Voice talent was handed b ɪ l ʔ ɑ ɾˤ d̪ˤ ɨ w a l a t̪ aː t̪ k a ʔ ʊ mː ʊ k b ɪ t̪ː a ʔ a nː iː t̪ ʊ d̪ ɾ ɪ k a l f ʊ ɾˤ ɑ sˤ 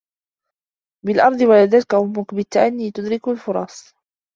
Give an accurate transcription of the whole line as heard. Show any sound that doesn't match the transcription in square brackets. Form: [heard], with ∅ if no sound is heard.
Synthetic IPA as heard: b ɪ l ʔ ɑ ɾˤ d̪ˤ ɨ w a l a [d̪] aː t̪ k a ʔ ʊ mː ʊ k b ɪ t̪ː a ʔ a nː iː t̪ ʊ d̪ ɾ ɪ k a l f ʊ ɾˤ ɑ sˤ